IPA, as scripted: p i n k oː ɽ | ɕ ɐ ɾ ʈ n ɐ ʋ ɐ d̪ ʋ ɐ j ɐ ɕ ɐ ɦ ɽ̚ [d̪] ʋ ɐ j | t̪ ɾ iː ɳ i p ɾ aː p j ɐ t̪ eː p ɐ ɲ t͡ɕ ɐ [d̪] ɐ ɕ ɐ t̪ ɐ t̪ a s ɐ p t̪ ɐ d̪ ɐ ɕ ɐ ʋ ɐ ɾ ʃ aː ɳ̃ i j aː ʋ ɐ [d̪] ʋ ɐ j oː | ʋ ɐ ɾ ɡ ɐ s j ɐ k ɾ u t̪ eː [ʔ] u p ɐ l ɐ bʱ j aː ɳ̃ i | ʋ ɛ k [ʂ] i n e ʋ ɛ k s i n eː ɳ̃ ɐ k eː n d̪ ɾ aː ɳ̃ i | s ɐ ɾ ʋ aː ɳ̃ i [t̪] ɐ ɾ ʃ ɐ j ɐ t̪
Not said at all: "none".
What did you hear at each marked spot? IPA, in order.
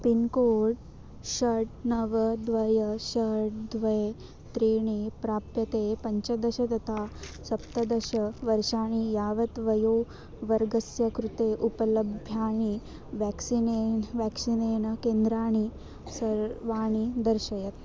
d̪, d̪, t̪, ʔ, s, d̪

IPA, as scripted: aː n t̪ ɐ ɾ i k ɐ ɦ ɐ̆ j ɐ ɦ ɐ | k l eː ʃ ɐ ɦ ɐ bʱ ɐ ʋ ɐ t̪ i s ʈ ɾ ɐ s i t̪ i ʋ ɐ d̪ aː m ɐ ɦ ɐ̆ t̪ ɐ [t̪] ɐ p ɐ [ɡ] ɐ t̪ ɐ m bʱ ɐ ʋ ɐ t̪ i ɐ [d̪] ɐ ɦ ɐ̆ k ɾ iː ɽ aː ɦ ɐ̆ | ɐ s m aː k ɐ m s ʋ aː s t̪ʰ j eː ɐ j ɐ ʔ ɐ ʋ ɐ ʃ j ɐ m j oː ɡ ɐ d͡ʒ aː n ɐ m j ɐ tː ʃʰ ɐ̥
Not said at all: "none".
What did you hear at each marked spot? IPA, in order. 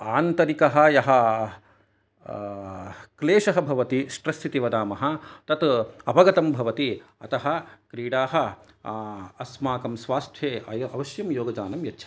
t̪, ɡ, t̪

